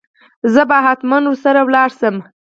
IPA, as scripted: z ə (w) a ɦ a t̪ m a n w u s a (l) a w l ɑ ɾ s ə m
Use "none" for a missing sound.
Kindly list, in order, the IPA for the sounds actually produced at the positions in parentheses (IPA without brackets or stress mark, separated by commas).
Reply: b, ɾ